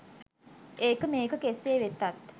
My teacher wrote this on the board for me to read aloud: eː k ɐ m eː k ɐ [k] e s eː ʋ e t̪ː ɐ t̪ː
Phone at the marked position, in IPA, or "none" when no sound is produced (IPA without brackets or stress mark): k